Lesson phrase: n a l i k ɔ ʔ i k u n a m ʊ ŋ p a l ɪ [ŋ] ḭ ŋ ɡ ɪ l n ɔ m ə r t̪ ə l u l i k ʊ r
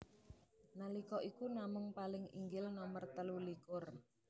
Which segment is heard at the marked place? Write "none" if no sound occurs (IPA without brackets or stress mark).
ŋ